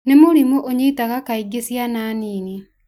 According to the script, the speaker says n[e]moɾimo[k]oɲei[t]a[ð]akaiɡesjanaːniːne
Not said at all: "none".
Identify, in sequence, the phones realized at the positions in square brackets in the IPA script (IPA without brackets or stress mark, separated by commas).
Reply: e, ʔ, t, ɣ